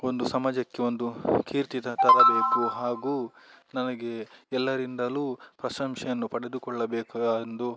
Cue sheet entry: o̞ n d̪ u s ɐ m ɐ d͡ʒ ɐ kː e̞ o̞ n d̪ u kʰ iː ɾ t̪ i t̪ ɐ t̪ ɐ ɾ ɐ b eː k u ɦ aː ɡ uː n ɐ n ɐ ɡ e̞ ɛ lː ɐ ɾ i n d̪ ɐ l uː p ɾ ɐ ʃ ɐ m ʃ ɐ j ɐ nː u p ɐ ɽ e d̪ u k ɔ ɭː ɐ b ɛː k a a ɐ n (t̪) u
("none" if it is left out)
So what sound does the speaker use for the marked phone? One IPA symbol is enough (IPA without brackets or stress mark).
d̪